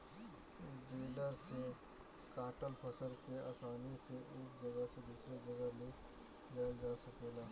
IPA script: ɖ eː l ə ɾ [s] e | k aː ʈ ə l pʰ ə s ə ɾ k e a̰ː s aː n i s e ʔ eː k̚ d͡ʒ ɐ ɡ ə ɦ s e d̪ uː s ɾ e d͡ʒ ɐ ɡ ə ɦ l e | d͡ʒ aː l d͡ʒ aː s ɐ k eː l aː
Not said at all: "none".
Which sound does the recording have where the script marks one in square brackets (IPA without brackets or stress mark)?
s